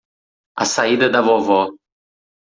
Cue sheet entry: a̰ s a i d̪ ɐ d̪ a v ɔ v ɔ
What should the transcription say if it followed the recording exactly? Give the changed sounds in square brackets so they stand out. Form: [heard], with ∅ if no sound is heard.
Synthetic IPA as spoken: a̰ s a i d̪ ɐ d̪ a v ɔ v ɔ